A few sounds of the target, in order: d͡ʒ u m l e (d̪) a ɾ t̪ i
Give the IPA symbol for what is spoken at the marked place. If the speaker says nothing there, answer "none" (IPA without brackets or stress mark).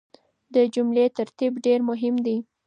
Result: t̪